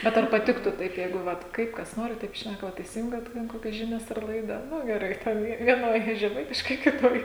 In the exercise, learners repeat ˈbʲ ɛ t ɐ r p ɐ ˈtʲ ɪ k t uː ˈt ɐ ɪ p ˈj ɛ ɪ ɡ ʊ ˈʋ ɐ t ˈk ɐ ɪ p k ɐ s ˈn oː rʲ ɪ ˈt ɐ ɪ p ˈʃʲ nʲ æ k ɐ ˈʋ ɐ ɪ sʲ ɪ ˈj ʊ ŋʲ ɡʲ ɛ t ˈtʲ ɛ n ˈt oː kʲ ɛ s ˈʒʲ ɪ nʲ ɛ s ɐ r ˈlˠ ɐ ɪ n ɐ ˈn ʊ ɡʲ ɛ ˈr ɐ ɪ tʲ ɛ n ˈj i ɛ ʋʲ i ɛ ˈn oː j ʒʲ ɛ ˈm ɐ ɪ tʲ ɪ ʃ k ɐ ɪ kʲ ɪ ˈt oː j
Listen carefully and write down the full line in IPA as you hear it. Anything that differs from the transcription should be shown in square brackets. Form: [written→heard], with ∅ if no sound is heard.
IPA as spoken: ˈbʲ ɛ t ɐ r p ɐ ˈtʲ ɪ k t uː ˈt ɐ ɪ p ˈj ɛ ɪ ɡ ʊ ˈʋ ɐ t ˈk ɐ ɪ p k ɐ s ˈn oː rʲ ɪ ˈt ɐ ɪ p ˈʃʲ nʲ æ k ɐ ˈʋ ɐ ɪ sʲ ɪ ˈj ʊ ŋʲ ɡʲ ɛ t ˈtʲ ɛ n [ˈt→ˈk] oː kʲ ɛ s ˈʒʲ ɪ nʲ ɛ s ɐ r ˈlˠ ɐ ɪ [n→d] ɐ ˈn ʊ ɡʲ ɛ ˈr ɐ ɪ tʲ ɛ n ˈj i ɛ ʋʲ i ɛ ˈn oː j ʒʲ ɛ ˈm ɐ ɪ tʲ ɪ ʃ k ɐ ɪ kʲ ɪ ˈt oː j